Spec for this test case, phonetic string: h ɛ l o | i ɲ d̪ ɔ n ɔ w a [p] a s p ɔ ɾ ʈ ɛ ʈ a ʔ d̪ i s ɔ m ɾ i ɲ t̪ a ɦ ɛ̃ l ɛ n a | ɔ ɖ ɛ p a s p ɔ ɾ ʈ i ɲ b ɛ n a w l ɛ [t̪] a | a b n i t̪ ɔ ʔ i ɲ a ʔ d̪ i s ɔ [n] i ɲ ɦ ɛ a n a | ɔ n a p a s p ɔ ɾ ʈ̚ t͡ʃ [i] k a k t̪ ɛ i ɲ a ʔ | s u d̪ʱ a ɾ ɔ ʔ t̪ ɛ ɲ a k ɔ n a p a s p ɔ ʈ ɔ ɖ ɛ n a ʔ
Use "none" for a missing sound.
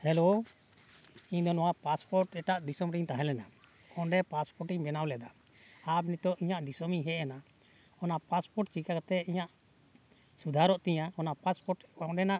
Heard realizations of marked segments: p, d̪, m, i

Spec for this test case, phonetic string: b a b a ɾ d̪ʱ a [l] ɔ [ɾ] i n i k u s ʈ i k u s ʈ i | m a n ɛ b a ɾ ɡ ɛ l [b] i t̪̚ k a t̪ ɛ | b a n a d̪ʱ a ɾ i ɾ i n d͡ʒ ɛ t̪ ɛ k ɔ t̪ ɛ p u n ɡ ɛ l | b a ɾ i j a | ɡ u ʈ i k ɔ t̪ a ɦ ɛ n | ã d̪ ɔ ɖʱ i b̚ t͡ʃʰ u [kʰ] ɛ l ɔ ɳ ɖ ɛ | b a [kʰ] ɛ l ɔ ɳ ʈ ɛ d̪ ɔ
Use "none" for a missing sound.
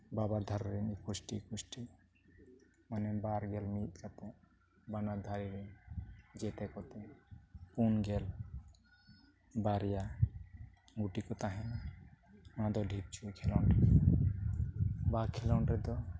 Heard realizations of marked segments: ɾ, ɾ, m, kʰ, kʰ

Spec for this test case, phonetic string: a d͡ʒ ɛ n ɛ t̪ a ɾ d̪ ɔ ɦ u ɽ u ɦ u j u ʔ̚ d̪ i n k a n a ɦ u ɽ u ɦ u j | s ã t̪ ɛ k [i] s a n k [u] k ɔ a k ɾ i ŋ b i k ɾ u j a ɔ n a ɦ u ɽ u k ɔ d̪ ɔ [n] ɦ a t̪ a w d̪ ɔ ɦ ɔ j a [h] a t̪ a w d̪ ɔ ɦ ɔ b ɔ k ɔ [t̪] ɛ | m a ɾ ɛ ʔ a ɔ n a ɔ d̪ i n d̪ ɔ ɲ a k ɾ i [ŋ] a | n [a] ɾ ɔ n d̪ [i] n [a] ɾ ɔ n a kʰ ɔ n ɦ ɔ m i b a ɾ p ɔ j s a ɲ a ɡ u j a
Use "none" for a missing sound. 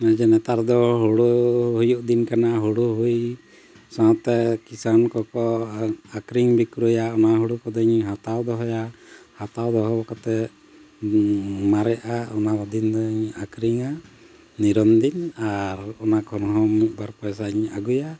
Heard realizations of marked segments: i, ɔ, ɲ, h, t̪, ŋ, i, i, a

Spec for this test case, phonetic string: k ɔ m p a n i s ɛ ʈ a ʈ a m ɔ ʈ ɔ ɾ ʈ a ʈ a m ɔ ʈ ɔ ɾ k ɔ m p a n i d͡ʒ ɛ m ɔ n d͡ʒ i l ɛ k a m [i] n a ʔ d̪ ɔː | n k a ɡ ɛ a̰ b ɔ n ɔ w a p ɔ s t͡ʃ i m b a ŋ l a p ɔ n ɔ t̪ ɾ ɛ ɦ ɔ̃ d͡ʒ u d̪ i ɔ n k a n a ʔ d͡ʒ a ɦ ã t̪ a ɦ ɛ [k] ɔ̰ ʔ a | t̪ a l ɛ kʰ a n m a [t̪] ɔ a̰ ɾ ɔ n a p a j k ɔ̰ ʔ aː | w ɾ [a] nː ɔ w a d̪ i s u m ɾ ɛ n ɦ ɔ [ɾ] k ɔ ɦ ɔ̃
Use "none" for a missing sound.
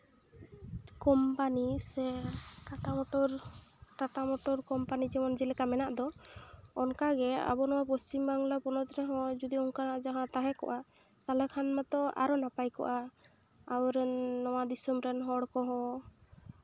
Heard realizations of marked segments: ɛ, k, t̪, ɛ, ɽ

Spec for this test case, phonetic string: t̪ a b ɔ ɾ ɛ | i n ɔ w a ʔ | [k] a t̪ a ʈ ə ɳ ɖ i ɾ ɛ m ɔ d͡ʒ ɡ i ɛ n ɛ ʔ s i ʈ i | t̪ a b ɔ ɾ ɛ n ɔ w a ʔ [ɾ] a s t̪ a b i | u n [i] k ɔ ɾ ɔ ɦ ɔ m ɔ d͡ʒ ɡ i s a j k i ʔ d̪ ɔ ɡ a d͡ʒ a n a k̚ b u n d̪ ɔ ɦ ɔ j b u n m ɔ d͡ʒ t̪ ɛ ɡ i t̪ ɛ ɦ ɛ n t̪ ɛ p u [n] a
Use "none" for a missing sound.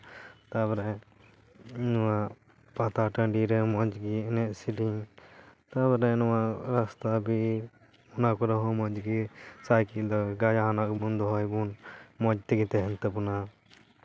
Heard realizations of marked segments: p, ɾ, a, n

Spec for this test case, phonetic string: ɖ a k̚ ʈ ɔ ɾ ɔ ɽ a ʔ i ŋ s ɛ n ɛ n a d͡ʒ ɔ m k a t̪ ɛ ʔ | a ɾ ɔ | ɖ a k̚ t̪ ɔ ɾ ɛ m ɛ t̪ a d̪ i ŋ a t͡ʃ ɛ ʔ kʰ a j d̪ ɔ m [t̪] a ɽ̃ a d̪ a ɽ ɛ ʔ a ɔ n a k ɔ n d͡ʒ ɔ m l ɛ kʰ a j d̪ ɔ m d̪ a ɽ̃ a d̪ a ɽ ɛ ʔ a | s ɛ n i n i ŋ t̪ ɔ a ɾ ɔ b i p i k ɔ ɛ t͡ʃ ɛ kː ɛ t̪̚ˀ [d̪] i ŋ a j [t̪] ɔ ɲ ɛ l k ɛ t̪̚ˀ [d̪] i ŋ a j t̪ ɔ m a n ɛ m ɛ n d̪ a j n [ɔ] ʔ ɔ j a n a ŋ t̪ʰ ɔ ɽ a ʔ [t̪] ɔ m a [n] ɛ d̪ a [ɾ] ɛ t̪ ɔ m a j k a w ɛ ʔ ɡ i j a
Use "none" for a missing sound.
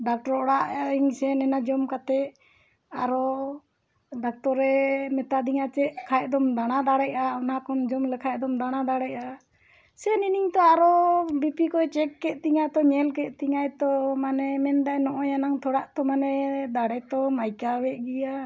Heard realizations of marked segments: d̪, t̪, t̪, t̪, ɔ, t̪, n, ɽ

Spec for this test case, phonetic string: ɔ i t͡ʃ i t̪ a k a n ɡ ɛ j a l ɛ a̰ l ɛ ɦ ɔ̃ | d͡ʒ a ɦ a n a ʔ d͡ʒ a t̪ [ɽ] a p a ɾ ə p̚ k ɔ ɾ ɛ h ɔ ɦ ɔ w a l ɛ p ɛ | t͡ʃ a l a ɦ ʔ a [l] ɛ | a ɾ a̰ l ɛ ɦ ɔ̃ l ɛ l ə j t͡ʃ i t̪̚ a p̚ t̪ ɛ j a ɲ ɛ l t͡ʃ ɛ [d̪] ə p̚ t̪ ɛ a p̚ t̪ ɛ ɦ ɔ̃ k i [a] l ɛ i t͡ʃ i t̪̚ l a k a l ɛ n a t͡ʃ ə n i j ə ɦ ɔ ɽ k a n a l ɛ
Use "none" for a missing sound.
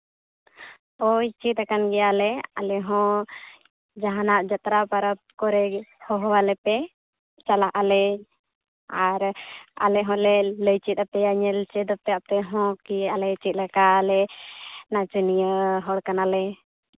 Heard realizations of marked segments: ɾ, l, d̪, a

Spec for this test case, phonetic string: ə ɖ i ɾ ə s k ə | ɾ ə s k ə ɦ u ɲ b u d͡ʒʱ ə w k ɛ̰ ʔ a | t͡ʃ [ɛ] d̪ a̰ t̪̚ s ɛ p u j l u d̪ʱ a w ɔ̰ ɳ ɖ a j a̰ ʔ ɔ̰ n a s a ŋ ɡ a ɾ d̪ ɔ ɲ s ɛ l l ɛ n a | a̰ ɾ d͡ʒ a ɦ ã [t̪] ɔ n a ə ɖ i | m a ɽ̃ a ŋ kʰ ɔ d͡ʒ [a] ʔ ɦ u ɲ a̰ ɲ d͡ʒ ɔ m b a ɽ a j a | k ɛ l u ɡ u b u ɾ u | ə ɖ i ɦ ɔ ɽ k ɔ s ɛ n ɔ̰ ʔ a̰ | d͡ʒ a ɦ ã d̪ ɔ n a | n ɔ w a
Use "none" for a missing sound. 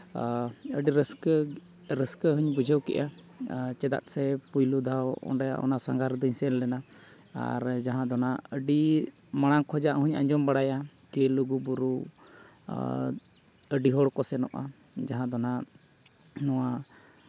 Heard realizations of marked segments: ɛ, d̪, a

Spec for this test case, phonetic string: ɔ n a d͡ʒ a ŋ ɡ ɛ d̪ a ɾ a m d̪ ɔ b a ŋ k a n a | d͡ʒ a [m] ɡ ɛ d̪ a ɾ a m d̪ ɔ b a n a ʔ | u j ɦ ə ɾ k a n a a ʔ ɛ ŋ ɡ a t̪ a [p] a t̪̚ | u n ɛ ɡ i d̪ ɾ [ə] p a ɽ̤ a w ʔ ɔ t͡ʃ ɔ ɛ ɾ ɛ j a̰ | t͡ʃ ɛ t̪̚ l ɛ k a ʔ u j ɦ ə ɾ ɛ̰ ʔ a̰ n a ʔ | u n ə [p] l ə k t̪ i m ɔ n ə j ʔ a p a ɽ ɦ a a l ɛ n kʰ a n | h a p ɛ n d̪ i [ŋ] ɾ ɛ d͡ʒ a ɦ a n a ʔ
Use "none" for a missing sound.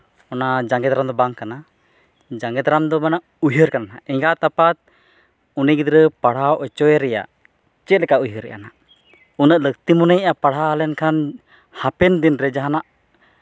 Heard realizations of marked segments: ŋ, p, ə, ʔ, n

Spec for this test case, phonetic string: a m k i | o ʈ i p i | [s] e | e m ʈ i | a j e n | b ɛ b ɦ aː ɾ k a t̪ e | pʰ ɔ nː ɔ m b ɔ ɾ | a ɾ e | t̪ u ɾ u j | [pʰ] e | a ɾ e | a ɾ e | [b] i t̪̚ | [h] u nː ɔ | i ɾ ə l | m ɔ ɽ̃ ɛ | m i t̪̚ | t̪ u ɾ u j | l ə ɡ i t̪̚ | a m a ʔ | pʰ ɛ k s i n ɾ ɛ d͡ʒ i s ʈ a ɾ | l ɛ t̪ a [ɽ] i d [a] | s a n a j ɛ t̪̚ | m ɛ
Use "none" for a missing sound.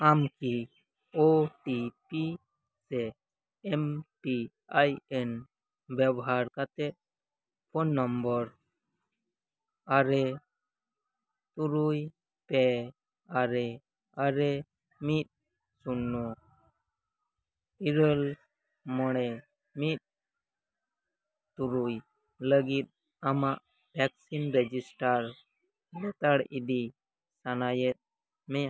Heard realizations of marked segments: s, p, m, s, ɽ, i

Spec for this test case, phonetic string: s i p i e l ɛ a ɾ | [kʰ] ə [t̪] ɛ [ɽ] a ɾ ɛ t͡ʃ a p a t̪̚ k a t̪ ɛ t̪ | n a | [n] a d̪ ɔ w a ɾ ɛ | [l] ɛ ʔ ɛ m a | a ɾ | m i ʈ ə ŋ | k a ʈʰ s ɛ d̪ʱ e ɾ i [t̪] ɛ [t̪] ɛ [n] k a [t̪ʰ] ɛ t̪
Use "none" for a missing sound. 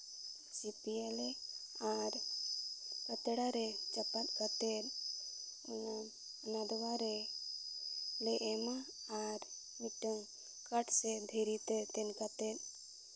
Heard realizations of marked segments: k, t̪, ɽ, n, l, t̪, t̪, n, t̪

